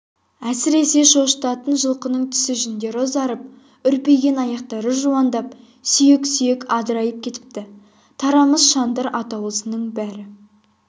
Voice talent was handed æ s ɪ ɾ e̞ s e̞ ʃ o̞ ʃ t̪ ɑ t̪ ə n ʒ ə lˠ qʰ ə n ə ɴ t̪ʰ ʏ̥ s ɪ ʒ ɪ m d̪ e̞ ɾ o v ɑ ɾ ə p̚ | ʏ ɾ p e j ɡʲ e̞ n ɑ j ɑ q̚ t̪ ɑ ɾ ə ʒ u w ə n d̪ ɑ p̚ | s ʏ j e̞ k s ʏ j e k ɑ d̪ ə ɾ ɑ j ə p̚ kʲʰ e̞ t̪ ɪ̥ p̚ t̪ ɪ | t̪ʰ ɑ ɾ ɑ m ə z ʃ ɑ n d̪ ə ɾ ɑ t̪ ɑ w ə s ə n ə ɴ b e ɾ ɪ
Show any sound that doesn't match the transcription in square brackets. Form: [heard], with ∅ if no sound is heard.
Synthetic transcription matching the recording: æ s ɪ ɾ e̞ s e̞ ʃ o̞ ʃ t̪ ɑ t̪ ə n ʒ ə lˠ [q] ə n ə ɴ t̪ʰ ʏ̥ s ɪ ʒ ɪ [n] d̪ e̞ ɾ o [z] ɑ ɾ ə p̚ | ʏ ɾ p e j ɡʲ e̞ n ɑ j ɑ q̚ t̪ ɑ ɾ ə ʒ u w [ɑ] n d̪ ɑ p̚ | s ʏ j e̞ k s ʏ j e k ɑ d̪ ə ɾ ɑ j ə p̚ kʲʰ e̞ t̪ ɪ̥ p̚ t̪ ɪ | t̪ʰ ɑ ɾ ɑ m ə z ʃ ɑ n d̪ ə ɾ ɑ t̪ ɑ w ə s ə n ə ɴ b [æ] ɾ ɪ